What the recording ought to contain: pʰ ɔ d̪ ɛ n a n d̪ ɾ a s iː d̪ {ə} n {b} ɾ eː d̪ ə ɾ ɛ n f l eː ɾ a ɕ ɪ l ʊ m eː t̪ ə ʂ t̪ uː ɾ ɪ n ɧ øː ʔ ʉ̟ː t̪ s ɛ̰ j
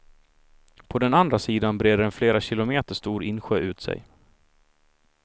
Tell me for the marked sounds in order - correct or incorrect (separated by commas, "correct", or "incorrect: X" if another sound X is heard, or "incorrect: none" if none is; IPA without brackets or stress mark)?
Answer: incorrect: a, correct